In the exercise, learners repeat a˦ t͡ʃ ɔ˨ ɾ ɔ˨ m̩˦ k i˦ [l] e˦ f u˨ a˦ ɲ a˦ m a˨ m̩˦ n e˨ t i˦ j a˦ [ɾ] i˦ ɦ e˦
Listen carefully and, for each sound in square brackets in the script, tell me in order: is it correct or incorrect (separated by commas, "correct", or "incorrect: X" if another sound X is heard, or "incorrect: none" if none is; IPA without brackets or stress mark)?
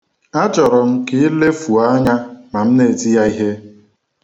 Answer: correct, incorrect: none